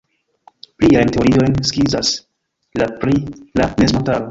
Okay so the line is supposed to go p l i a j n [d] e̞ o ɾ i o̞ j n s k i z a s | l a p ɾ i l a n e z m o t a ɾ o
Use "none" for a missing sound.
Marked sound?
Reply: t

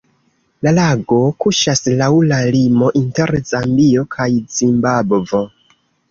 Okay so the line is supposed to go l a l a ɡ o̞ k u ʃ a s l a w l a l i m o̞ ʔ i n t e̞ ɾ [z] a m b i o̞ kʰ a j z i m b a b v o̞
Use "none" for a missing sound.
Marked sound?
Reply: z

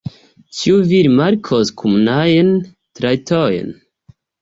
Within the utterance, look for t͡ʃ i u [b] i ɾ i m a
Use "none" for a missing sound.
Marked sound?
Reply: v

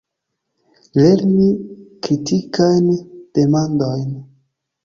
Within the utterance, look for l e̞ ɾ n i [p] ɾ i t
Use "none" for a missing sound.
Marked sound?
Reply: k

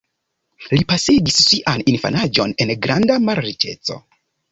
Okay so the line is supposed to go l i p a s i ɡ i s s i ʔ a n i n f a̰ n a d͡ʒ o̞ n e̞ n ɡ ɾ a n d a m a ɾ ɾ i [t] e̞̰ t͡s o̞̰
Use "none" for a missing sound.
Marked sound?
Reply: t͡ʃ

